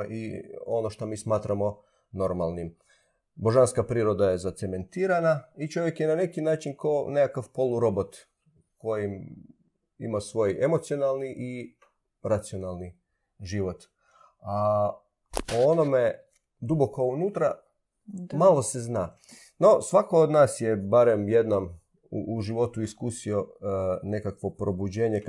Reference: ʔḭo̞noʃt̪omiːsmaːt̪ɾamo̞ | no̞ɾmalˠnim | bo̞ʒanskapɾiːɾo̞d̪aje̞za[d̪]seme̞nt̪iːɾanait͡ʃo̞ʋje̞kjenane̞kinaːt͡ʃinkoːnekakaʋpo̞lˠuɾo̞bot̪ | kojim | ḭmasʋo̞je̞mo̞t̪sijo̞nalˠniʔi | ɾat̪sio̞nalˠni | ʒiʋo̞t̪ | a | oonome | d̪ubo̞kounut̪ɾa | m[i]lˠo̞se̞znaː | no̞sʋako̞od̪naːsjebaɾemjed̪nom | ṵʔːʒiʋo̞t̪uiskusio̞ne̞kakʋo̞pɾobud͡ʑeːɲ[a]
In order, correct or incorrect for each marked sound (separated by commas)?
incorrect, incorrect, incorrect